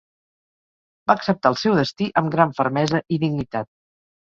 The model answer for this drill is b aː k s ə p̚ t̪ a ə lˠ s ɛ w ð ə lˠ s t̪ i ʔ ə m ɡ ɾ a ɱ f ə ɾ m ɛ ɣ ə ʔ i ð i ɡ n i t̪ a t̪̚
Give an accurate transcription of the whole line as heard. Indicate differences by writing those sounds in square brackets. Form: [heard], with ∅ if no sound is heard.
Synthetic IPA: b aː k s ə p̚ t̪ a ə lˠ s ɛ w ð ə [∅] s t̪ i ʔ ə m ɡ ɾ a ɱ f ə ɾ m ɛ [z] ə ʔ i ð i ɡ n i t̪ a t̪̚